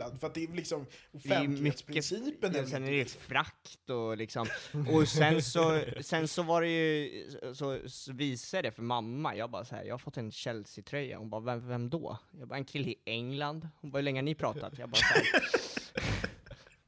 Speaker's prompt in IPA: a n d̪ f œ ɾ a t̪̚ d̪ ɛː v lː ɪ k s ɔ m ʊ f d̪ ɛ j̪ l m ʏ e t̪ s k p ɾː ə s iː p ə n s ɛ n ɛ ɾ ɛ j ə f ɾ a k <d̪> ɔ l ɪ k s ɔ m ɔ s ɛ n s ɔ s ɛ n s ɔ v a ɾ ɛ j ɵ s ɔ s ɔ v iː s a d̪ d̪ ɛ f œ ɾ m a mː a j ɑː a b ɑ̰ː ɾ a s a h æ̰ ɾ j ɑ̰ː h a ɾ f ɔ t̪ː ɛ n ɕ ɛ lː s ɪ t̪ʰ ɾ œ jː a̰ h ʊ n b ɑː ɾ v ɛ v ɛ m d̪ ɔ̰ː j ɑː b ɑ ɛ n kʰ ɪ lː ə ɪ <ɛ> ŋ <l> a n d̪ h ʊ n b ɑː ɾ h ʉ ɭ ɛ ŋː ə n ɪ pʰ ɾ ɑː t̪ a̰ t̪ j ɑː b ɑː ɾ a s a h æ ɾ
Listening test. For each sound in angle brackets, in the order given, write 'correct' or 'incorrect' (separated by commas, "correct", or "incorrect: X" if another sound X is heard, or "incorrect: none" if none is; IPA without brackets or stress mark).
incorrect: t̪, correct, correct